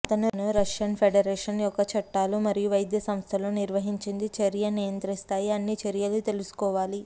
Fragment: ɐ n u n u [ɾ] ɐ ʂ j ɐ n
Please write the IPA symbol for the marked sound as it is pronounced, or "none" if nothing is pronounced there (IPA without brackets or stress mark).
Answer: ɾ